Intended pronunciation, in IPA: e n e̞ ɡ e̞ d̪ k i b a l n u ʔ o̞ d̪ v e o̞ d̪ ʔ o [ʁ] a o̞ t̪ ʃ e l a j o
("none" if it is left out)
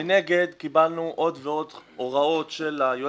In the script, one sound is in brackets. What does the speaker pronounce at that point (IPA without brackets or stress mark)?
ʁ